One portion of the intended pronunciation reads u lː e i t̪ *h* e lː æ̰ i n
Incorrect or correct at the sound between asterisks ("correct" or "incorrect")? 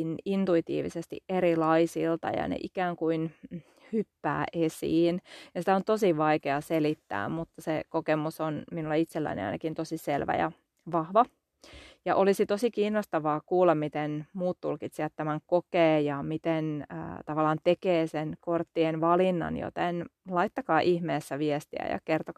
incorrect